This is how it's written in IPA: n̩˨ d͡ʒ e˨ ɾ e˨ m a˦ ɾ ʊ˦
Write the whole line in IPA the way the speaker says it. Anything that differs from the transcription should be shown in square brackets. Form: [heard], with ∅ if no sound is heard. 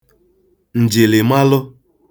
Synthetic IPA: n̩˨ d͡ʒ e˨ [l] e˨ m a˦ [l] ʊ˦